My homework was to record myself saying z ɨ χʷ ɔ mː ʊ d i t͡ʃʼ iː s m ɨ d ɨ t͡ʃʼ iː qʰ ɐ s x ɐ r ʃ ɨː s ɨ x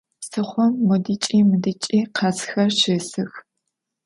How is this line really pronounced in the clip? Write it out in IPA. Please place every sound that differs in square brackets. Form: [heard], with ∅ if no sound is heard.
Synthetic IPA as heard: [s] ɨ χʷ ɔ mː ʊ d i t͡ʃʼ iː [∅] m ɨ d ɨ t͡ʃʼ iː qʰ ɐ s x ɐ r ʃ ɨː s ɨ x